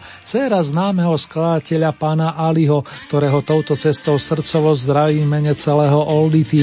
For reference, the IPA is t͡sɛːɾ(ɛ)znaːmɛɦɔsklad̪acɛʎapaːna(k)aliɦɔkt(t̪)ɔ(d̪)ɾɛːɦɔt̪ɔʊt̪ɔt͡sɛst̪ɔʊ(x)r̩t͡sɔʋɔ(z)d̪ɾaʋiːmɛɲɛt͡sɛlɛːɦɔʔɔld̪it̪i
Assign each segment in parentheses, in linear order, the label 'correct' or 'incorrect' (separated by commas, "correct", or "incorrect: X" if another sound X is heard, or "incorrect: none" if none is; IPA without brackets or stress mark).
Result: incorrect: a, incorrect: ʔ, correct, incorrect: none, incorrect: s, correct